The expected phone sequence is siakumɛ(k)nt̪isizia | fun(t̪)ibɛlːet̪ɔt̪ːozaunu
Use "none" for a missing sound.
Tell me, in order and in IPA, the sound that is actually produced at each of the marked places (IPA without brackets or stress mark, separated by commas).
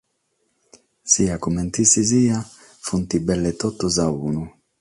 none, t̪